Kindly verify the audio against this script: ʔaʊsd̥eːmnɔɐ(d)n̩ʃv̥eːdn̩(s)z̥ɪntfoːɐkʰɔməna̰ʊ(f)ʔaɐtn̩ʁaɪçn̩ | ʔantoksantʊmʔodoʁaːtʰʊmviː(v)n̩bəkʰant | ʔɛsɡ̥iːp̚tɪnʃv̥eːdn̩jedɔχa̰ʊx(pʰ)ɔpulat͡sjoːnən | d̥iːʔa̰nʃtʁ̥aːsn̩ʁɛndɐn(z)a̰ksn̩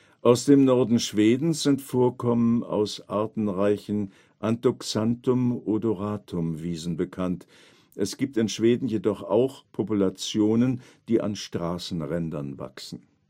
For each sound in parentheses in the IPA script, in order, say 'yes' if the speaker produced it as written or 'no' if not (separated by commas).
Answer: yes, yes, no, no, yes, no